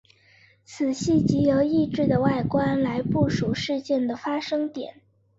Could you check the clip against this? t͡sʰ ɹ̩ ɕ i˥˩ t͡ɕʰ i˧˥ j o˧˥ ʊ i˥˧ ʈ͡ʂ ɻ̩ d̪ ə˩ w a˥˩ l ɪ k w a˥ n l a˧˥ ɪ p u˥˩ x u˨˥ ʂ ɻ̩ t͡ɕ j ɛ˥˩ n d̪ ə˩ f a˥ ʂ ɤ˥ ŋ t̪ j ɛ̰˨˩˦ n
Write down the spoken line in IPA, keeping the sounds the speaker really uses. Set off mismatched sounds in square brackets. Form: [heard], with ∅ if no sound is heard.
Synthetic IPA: t͡sʰ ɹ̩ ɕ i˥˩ [t͡ɕ] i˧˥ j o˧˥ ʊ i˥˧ ʈ͡ʂ ɻ̩ d̪ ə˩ w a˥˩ [∅] ɪ k w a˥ n l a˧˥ ɪ p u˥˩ [ʂ] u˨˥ ʂ ɻ̩ t͡ɕ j ɛ˥˩ n d̪ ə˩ f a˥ ʂ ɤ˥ ŋ t̪ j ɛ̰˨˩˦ n

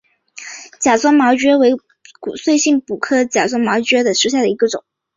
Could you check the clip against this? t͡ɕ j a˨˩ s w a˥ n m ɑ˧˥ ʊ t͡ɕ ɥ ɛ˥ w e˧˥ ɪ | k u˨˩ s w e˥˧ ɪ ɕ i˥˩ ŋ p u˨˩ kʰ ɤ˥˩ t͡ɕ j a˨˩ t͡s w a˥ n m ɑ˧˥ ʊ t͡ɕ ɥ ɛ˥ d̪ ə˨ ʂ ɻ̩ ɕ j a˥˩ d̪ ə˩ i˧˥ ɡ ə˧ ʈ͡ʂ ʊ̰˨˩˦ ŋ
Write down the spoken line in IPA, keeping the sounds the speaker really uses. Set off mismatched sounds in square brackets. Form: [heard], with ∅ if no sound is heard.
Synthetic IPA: t͡ɕ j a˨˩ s w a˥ n m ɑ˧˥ ʊ t͡ɕ ɥ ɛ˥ w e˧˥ ɪ | k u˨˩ s w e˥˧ ɪ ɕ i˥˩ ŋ p u˨˩ kʰ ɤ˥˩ t͡ɕ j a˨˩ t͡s w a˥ n m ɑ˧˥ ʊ t͡ɕ ɥ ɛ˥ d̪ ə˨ ʂ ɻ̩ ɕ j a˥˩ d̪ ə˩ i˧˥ ɡ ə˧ ʈ͡ʂ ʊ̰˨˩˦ ŋ

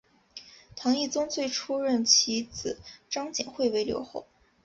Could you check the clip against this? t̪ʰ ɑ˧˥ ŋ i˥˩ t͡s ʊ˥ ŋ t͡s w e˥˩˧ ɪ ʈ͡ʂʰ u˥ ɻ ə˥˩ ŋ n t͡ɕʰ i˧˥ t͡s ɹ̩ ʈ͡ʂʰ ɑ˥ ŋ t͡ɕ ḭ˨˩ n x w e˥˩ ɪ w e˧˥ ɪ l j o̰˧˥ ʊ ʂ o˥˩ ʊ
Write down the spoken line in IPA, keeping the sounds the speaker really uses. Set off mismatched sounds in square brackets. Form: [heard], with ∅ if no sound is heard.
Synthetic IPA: t̪ʰ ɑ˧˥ ŋ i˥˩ t͡s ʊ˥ ŋ t͡s w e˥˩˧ ɪ ʈ͡ʂʰ u˥ ɻ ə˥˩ [∅] n t͡ɕʰ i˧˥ t͡s ɹ̩ [ʈ͡ʂ] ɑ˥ ŋ t͡ɕ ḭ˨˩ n x w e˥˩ ɪ w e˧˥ ɪ l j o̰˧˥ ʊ [x] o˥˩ ʊ

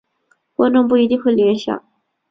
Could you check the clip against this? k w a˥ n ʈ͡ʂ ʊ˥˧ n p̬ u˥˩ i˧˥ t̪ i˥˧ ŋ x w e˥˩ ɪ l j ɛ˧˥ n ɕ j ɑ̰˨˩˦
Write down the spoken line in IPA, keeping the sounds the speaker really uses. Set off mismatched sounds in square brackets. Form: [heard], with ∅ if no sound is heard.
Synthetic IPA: k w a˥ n ʈ͡ʂ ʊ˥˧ [ŋ] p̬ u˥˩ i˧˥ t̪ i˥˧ ŋ x w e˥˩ ɪ l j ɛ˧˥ n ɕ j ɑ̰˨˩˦

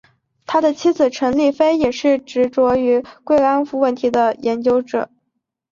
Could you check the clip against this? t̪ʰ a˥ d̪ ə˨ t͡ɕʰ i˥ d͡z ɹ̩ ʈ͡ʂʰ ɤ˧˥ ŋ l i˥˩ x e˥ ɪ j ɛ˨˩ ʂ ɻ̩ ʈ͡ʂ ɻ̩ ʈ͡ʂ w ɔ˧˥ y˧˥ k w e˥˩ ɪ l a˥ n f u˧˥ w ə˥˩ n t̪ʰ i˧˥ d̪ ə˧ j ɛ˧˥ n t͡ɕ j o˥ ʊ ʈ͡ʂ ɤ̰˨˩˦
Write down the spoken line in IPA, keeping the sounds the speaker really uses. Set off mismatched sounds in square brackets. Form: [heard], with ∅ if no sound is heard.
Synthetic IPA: t̪ʰ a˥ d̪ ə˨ t͡ɕʰ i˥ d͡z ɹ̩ ʈ͡ʂʰ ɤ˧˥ ŋ l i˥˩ [f] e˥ ɪ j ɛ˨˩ ʂ ɻ̩ ʈ͡ʂ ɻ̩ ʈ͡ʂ w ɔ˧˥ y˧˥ k w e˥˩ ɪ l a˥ n f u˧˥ w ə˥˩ n t̪ʰ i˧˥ d̪ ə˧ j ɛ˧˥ n t͡ɕ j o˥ ʊ ʈ͡ʂ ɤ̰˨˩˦

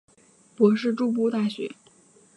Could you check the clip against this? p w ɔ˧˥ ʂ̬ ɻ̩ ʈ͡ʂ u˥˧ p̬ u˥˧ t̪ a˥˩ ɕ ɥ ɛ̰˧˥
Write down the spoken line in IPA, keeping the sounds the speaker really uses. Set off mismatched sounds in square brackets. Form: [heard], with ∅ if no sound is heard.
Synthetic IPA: p w ɔ˧˥ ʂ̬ ɻ̩ ʈ͡ʂ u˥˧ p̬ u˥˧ t̪ a˥˩ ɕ ɥ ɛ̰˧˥

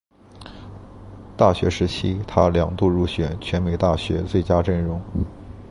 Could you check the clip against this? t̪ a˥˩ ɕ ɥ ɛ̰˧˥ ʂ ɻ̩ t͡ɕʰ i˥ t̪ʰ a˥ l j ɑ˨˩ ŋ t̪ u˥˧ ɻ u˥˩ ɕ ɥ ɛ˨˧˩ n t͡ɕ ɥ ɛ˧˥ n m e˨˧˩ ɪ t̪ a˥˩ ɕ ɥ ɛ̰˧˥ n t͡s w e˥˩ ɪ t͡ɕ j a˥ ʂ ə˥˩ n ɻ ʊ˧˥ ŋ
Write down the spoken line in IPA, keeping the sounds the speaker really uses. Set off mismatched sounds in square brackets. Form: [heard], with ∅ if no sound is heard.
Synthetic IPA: t̪ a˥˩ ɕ ɥ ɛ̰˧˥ ʂ ɻ̩ t͡ɕʰ i˥ t̪ʰ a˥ l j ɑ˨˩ ŋ t̪ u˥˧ ɻ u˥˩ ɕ ɥ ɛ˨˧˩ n [t͡ɕʰ] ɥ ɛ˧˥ n m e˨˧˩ ɪ t̪ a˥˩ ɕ ɥ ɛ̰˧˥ [∅] t͡s w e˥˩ ɪ t͡ɕ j a˥ [ʈ͡ʂ] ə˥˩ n ɻ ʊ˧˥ ŋ

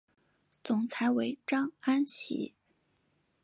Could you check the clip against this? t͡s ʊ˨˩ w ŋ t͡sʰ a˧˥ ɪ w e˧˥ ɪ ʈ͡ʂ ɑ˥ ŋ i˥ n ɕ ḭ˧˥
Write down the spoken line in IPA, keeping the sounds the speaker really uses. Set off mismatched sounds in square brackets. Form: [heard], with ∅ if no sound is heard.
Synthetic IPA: t͡s ʊ˨˩ [∅] ŋ t͡sʰ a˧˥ ɪ w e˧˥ ɪ ʈ͡ʂ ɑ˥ ŋ [a˥] n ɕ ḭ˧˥

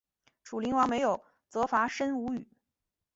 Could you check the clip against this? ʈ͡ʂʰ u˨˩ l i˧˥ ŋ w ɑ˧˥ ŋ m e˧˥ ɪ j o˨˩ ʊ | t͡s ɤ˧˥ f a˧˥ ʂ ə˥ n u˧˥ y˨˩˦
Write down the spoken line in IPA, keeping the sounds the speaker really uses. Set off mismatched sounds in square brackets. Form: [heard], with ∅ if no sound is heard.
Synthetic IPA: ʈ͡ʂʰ u˨˩ l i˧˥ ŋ w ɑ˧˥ ŋ m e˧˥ ɪ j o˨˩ ʊ | t͡s ɤ˧˥ f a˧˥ ʂ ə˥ n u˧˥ y˨˩˦

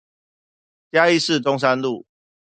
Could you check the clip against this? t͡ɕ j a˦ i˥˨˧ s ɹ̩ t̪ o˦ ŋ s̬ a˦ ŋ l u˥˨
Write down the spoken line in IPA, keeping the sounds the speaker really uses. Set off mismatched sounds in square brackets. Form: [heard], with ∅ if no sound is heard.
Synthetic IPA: t͡ɕ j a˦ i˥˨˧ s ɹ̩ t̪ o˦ ŋ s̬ a˦ [n] l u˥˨

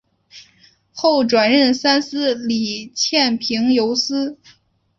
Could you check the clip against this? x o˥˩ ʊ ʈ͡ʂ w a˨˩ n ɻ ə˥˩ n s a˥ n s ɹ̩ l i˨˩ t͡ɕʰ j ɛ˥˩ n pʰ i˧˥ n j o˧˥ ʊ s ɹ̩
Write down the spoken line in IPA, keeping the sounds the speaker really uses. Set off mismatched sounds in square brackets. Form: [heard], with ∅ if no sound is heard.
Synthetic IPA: x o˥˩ ʊ ʈ͡ʂ w a˨˩ n ɻ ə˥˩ n s a˥ n s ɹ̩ l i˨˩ t͡ɕʰ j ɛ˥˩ n pʰ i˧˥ [ŋ] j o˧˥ ʊ s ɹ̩

